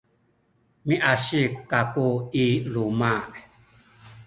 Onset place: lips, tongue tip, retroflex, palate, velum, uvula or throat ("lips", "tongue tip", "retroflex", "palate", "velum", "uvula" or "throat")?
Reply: lips